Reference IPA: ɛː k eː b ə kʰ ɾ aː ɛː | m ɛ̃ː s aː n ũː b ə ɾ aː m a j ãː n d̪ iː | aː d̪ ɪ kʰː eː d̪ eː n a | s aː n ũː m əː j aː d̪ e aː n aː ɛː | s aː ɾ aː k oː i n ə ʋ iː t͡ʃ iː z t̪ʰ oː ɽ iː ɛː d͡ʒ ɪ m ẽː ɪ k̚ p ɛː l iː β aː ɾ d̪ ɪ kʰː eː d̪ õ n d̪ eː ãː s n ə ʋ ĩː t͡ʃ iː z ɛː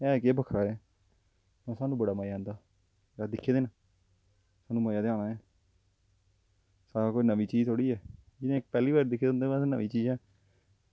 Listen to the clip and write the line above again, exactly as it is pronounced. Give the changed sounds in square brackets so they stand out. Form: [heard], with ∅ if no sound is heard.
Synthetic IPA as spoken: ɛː k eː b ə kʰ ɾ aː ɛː | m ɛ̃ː s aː n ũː b ə [ɽ] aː m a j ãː n d̪ [aː] | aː d̪ ɪ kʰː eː d̪ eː n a | s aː n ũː m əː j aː d̪ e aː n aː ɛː | s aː ɾ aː k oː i n ə ʋ iː t͡ʃ iː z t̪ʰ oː ɽ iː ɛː d͡ʒ ɪ [n] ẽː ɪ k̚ p ɛː l iː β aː ɾ d̪ ɪ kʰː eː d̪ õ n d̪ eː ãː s n ə ʋ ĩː t͡ʃ iː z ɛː